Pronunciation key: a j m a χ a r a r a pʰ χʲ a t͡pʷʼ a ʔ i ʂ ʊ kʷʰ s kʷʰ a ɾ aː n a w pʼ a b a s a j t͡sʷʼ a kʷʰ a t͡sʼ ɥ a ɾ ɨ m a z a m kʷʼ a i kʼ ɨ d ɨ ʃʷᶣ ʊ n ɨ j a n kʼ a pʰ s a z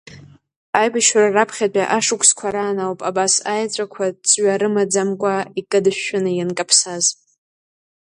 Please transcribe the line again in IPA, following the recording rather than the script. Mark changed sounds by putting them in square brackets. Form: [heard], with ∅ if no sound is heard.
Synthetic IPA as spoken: a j [b] a [ʃ] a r a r a pʰ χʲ a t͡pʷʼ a ʔ [a] ʂ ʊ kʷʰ s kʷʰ a ɾ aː n a w pʼ a b a s a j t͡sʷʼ a kʷʰ a t͡sʼ ɥ a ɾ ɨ m a [d͡z] a m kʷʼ a i kʼ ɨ d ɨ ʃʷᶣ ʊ n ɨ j a n kʼ a pʰ s a z